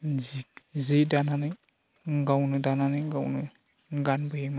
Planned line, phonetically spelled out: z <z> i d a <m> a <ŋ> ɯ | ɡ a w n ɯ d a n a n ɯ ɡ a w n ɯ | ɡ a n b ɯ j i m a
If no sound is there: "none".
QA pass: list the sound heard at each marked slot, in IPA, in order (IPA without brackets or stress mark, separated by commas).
z, n, n